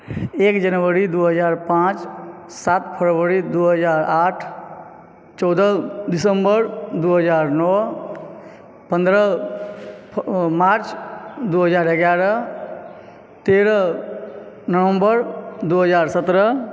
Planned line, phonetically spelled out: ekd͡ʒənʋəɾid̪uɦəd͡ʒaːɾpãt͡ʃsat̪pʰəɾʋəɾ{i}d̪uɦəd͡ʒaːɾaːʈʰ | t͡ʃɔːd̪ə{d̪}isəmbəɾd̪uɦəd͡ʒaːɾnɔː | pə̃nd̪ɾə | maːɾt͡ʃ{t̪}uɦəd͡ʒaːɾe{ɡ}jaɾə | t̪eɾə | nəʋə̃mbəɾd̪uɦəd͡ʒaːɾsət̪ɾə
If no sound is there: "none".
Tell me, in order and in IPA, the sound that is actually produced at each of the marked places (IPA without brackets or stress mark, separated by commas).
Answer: i, d̪, d̪, ɡ